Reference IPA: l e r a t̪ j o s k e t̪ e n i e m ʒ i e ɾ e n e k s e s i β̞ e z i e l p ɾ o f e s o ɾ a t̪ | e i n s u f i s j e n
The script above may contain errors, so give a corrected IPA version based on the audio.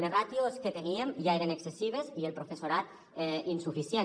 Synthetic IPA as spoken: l e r a t̪ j o s k e t̪ e n i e m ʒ a e ɾ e n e k s e s i β̞ e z i e l p ɾ o f e s o ɾ a t̪ | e i n s u f i s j e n